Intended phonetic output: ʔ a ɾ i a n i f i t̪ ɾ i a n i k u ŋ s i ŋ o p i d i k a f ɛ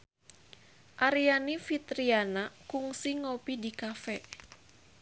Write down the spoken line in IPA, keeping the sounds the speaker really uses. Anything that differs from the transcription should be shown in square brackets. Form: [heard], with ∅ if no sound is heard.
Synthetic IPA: ʔ a ɾ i a n i f i t̪ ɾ i a n [a] k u ŋ s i ŋ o p i d i k a f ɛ